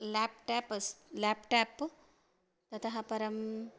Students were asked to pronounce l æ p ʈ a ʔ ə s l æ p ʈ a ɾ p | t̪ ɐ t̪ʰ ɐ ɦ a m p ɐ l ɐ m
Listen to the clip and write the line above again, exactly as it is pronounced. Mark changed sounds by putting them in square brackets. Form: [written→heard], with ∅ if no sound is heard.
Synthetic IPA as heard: l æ p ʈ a [ʔ→p] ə s l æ p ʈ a [ɾ→∅] p | t̪ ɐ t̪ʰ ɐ ɦ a [m→∅] p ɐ [l→ɾ] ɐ m